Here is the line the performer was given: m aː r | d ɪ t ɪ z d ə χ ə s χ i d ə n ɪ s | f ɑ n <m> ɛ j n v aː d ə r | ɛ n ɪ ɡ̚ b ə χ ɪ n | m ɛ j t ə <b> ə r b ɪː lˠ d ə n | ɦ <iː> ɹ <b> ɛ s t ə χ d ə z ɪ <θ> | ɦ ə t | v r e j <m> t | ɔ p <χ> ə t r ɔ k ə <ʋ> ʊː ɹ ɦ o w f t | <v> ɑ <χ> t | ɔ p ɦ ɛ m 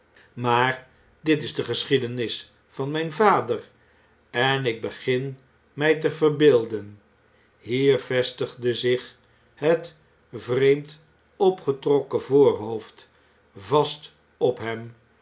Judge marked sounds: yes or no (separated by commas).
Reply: yes, no, yes, no, no, yes, yes, no, yes, no